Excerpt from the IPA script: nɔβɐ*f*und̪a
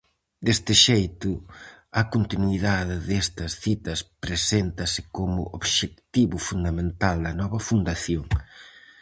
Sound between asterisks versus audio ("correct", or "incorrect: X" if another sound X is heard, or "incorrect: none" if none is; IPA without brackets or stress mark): correct